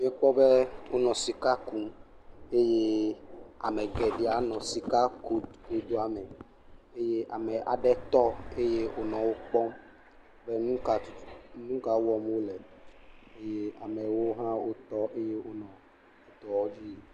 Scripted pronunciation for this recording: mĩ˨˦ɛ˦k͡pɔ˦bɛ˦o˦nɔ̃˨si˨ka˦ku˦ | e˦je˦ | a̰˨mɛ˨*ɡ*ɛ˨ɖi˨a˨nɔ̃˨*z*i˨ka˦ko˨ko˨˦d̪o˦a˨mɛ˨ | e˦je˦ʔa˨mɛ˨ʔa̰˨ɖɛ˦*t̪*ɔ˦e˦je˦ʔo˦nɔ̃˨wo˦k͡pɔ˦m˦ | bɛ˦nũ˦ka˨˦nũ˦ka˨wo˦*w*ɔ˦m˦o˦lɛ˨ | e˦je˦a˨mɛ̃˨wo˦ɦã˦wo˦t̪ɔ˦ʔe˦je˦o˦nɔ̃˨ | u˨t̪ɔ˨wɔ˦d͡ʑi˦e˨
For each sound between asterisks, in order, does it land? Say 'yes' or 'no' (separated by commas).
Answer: yes, no, yes, yes